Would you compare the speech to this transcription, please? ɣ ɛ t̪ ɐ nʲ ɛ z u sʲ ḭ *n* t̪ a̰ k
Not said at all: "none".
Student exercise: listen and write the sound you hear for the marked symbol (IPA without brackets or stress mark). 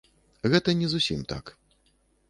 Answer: m